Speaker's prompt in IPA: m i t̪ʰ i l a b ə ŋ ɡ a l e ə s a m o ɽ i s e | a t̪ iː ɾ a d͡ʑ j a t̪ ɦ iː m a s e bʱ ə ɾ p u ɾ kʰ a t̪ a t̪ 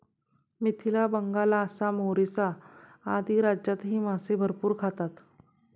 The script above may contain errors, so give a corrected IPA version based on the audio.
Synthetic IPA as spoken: m i t̪ʰ i l a b ə ŋ ɡ a l a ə s a m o ɾ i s a | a d̪ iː ɾ a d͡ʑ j a t̪ ɦ iː m a s e bʱ ə ɾ p uː ɾ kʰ a t̪ a t̪